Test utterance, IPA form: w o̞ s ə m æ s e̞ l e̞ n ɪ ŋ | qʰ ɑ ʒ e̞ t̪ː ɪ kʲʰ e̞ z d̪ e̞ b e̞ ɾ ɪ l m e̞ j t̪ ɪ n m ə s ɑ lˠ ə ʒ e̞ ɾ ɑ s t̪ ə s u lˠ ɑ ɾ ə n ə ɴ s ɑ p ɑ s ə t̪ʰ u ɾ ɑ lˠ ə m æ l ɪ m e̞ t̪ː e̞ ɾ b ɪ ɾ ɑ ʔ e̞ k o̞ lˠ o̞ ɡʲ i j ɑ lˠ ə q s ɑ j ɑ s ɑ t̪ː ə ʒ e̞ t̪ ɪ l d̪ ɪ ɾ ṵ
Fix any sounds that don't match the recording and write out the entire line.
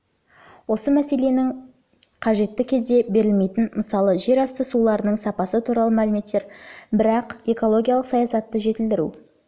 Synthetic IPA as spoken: w o̞ s ə m æ s e̞ l e̞ n ɪ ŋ | qʰ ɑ ʒ e̞ t̪ː ɪ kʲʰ e̞ z d̪ e̞ b e̞ ɾ ɪ l m e̞ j t̪ ɪ n m ə s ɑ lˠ ə ʒ e̞ ɾ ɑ s t̪ ə s u lˠ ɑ ɾ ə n ə ɴ s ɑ p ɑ s ə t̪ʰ u ɾ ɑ lˠ ə m æ l ɪ m e̞ t̪ː e̞ ɾ b ɪ ɾ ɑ q e̞ k o̞ lˠ o̞ ɡʲ i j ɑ lˠ ə q s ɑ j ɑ s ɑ t̪ː ə ʒ e̞ t̪ ɪ l d̪ ɪ ɾ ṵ